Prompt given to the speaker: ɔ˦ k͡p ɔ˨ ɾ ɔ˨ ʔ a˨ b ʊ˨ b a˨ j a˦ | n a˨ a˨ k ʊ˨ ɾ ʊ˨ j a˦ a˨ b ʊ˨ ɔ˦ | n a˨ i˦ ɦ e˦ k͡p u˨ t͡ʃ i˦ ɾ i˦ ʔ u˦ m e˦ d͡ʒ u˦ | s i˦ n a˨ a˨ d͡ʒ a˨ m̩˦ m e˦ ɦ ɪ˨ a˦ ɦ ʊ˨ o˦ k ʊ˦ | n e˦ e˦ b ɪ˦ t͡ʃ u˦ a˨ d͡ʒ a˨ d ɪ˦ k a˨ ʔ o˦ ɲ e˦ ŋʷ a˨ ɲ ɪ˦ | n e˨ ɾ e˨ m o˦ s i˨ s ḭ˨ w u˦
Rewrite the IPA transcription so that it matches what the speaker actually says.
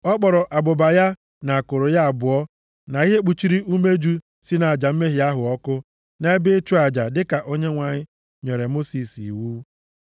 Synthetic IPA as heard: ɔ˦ k͡p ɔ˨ ɾ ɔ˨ ʔ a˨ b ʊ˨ b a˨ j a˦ | n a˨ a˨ k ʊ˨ ɾ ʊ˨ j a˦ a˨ b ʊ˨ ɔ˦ | n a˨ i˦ ɦ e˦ k͡p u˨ t͡ʃ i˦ ɾ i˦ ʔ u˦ m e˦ d͡ʒ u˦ | s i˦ n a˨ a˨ d͡ʒ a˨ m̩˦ m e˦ ɦ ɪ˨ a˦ ɦ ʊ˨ ɔ˦ k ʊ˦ | n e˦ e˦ b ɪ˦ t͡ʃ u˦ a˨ d͡ʒ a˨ d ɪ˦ k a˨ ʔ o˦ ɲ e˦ ŋʷ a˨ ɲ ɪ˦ | ɲ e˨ ɾ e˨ m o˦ s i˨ s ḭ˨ w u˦

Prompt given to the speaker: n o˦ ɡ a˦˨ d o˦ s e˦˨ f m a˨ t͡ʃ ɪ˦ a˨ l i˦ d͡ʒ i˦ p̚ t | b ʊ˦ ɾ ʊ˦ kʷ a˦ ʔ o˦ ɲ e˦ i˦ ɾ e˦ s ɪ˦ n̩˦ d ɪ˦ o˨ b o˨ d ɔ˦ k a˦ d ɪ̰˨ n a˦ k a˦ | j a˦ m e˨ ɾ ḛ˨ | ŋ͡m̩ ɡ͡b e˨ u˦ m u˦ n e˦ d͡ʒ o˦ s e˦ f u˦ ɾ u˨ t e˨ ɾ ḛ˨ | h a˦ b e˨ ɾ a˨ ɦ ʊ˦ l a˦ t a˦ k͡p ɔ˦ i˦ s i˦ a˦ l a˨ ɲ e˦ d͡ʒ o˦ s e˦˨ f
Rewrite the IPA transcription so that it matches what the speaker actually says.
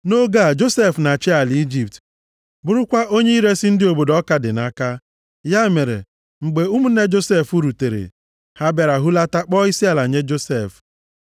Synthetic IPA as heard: n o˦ ɡ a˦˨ d͡ʒ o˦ s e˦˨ f n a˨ t͡ʃ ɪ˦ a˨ l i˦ d͡ʒ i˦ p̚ t | b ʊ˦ ɾ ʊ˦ kʷ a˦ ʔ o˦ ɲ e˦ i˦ ɾ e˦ s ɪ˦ n̩˦ d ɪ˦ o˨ b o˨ d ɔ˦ k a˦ d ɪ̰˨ n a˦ k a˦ | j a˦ m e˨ ɾ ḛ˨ | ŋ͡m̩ ɡ͡b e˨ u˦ m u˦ n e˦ d͡ʒ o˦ s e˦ f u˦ ɾ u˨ t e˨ ɾ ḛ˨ | h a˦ b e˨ ɾ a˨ ɦ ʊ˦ l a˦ t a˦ k͡p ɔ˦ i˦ s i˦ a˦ l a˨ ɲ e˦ d͡ʒ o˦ s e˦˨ f

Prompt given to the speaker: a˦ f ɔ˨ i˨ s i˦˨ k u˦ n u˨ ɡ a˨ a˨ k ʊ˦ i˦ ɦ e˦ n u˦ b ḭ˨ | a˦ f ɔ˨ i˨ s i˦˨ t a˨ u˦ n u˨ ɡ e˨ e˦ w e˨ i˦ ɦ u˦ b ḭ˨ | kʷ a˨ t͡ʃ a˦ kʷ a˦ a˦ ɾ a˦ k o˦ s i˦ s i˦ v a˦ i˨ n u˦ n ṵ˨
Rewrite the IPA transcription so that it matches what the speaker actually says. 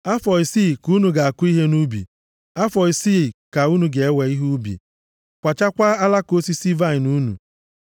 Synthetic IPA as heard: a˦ f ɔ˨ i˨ s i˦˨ k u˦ n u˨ ɡ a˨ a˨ k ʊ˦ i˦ ɦ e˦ n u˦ b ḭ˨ | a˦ f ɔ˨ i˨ s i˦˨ k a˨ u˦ n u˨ ɡ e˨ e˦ w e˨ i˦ ɦ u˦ b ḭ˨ | kʷ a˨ t͡ʃ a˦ kʷ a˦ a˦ l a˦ k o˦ s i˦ s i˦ v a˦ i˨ n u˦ n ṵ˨

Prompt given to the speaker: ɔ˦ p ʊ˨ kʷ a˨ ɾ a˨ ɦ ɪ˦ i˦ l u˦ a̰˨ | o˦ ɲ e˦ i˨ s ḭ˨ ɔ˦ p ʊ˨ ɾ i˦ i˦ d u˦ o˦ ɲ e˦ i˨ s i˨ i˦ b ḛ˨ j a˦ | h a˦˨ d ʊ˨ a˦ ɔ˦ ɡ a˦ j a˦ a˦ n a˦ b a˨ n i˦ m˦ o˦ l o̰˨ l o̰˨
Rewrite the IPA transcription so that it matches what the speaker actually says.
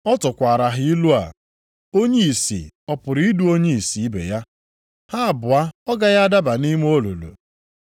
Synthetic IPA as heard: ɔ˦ t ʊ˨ kʷ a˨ ɾ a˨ ɦ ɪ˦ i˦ l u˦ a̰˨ | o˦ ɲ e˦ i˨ s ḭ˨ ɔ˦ p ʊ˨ ɾ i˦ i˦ d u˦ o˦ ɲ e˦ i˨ s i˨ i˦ b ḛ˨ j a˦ | h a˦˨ b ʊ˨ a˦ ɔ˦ ɡ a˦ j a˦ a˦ d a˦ b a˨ n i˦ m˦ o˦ l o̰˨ l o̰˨

